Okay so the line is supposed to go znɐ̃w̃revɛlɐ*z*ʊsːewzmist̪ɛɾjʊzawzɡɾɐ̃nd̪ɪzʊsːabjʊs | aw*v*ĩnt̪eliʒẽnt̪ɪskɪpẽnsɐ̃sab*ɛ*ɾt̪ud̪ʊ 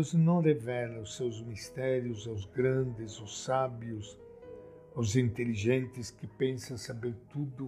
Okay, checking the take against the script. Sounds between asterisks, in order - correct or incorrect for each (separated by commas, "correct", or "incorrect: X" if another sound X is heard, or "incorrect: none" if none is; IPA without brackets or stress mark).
incorrect: none, incorrect: z, incorrect: e